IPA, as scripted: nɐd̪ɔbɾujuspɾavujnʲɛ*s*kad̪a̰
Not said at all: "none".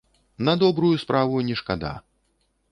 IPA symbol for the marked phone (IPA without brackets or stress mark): ʂ